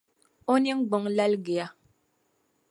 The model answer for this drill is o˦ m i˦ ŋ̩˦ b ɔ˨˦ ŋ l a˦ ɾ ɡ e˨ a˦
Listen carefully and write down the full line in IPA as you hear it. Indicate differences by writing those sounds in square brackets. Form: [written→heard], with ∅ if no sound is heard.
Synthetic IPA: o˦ [m→n] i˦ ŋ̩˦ [b→ɡ͡b] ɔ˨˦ ŋ l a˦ [ɾ→l] ɡ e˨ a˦

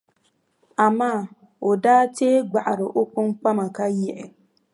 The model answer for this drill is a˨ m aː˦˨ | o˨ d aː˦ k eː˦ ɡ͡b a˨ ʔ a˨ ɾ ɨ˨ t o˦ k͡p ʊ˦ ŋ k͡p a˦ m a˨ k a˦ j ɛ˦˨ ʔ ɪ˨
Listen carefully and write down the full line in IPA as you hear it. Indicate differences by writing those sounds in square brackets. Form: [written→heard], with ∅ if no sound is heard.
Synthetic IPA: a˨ m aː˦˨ | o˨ d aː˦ [k→t] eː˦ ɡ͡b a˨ ʔ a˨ ɾ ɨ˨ [t→ʔ] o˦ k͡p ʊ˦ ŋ k͡p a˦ m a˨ k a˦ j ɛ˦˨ ʔ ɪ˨

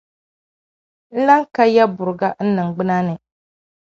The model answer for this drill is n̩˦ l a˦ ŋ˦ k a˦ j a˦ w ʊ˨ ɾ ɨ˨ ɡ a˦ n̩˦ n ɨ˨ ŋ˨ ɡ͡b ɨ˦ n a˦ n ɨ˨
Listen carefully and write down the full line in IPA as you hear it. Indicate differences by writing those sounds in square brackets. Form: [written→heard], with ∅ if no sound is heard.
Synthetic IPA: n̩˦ l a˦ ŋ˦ k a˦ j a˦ [w→b] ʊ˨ ɾ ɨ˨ ɡ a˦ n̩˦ n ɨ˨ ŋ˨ ɡ͡b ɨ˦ n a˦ n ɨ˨

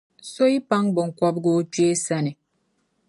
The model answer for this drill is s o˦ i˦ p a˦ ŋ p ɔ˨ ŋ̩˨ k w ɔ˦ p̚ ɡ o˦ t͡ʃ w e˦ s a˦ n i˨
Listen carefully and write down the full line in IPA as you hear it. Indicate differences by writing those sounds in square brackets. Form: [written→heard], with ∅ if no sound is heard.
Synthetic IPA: s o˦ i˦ p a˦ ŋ [p→b] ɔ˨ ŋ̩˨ k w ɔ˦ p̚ ɡ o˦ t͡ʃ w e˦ s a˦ n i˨

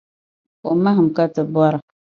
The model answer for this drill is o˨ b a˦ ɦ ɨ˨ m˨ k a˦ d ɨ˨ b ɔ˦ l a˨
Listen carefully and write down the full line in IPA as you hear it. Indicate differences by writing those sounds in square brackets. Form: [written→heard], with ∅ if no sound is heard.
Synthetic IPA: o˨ [b→m] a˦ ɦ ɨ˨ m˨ k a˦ [d→t] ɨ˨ b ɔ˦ [l→ɾ] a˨

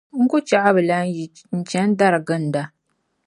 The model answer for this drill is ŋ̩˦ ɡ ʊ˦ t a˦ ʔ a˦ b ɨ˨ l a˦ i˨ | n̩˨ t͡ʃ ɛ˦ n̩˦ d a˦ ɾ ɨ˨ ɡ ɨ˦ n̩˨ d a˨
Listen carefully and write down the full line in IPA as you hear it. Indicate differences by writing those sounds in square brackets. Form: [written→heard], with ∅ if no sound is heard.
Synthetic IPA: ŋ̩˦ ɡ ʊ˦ [t→t͡ʃ] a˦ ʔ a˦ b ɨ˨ l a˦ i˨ | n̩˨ t͡ʃ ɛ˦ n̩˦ d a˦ ɾ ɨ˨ ɡ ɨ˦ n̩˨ d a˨

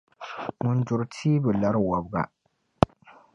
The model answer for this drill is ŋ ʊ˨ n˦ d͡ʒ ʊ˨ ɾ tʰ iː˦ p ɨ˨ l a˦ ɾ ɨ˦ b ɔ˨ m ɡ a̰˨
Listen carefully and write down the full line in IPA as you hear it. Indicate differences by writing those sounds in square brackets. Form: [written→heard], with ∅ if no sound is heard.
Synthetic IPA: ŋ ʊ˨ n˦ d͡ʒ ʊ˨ ɾ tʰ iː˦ [p→b] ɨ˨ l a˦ ɾ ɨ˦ [b→w] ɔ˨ [m→b] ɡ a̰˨

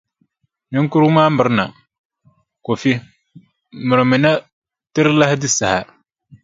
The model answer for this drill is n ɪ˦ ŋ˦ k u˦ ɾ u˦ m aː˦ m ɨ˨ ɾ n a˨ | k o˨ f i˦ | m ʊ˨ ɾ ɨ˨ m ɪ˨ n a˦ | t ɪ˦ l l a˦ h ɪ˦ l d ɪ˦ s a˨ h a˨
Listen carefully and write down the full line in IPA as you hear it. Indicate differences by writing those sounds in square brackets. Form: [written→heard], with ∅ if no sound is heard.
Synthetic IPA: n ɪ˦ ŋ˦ k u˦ ɾ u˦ m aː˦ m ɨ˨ ɾ n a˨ | k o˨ f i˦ | m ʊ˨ ɾ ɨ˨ m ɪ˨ n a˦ | t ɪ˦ [l→ɾ] l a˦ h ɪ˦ [l→∅] d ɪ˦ s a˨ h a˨

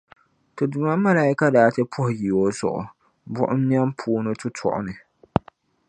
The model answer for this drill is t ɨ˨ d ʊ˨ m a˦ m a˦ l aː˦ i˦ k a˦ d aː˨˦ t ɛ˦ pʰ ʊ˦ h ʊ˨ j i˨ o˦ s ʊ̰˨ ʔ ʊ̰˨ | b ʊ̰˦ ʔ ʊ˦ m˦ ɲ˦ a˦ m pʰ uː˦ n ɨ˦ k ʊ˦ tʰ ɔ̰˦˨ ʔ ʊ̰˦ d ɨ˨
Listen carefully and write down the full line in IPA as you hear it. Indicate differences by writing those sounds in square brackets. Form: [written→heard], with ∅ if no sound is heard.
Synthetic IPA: t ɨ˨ d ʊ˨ m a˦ m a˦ l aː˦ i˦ k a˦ d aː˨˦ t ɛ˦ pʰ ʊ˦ h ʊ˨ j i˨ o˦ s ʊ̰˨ ʔ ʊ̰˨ | b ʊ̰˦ ʔ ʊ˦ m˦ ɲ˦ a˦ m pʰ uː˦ n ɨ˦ [k→t] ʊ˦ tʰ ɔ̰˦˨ ʔ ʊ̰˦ [d→n] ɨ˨

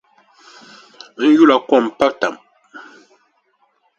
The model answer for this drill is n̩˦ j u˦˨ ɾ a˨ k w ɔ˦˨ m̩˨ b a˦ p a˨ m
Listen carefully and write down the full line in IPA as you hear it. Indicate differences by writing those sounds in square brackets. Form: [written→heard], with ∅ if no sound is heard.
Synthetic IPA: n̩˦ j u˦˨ [ɾ→l] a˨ k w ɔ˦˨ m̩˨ [b→p] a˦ [p→t] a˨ m

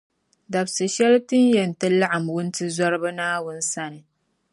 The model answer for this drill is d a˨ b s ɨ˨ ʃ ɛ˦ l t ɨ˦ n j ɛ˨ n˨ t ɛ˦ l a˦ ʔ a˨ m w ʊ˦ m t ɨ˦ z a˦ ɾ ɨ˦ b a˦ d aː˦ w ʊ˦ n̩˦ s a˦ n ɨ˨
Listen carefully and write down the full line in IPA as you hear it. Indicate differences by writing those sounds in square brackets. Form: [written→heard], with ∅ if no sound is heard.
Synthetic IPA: d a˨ b s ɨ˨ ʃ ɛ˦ l t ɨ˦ n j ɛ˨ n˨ t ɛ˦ l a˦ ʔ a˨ m w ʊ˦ [m→n] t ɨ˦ z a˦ ɾ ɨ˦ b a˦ [d→n] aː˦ w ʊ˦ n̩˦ s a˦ n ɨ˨

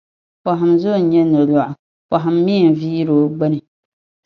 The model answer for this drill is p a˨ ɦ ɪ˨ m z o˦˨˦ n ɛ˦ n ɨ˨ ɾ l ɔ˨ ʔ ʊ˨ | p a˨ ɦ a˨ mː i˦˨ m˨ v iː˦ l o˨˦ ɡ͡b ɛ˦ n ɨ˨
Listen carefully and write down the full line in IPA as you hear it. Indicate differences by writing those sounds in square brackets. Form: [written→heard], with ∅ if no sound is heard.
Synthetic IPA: p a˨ ɦ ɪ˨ m z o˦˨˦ [n→ɲ] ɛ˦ n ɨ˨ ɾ l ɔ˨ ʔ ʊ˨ | p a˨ ɦ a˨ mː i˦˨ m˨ v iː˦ [l→ɾ] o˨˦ ɡ͡b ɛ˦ n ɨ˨

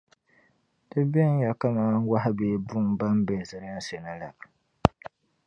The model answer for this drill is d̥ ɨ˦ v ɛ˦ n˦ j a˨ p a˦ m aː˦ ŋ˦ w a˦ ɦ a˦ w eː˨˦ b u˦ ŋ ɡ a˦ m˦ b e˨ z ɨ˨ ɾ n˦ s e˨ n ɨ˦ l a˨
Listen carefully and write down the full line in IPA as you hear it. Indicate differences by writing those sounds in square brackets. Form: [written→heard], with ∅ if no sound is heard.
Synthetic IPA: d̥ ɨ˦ [v→b] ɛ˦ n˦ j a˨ [p→k] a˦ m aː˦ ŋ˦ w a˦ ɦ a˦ [w→b] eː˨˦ b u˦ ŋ [ɡ→b] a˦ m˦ b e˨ z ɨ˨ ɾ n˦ s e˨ n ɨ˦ l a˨

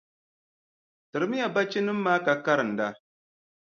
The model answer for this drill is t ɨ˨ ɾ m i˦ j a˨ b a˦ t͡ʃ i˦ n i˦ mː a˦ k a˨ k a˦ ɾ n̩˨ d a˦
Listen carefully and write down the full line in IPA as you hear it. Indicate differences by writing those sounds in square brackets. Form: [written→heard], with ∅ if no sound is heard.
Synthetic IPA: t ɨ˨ ɾ m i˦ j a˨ b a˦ t͡ʃ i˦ n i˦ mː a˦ k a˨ k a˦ ɾ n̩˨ d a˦

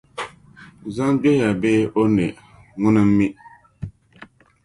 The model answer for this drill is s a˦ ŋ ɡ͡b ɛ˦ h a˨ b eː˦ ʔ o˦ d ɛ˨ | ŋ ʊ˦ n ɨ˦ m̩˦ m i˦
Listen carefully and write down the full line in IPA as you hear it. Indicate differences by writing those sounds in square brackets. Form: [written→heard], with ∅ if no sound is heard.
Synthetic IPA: [s→z] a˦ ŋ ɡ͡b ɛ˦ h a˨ b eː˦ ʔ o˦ [d→n] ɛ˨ | ŋ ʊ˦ n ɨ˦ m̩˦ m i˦

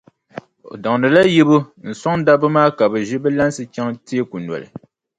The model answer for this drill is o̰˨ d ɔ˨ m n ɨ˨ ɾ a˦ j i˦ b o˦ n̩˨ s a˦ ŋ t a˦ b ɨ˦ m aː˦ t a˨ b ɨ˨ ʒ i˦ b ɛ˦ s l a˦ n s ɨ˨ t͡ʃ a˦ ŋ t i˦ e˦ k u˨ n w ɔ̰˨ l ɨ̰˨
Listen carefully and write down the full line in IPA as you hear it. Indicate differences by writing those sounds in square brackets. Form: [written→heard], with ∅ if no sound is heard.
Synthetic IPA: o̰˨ d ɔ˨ [m→ŋ] n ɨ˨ [ɾ→l] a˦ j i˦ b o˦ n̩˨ s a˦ ŋ [t→d] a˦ b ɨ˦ m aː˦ [t→k] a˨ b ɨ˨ ʒ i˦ b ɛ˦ [s→∅] l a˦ n s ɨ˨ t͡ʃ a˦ ŋ t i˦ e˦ k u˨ n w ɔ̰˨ l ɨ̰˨

